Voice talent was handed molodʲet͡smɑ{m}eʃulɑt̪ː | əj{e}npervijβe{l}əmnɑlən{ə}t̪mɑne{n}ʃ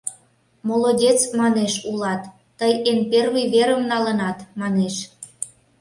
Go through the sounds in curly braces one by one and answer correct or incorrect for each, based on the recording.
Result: incorrect: n, correct, incorrect: ɾ, incorrect: ɑ, incorrect: none

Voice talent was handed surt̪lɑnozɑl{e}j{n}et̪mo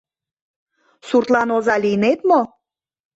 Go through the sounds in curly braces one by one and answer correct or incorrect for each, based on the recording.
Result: incorrect: i, correct

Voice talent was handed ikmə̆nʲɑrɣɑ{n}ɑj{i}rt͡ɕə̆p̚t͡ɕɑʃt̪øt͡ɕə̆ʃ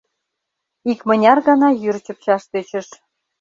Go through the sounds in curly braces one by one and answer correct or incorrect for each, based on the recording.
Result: correct, incorrect: y

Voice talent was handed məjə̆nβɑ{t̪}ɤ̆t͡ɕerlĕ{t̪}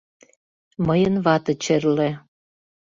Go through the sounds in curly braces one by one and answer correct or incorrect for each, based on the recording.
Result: correct, incorrect: none

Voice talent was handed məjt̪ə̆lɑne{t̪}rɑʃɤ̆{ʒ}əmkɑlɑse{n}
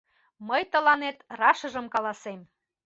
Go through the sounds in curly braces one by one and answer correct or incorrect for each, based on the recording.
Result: correct, correct, incorrect: m

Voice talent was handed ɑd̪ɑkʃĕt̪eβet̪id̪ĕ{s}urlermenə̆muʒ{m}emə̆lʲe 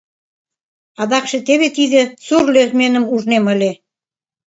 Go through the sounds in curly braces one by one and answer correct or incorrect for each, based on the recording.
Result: correct, incorrect: n

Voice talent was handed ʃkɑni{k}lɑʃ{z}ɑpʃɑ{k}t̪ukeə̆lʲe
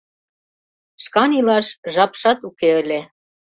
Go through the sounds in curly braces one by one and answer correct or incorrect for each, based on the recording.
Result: incorrect: none, incorrect: ʒ, incorrect: none

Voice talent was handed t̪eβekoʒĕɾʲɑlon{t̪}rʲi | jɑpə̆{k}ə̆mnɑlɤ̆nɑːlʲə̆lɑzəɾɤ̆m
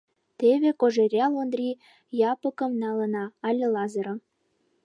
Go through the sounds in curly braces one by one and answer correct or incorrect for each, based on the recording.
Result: incorrect: d̪, correct

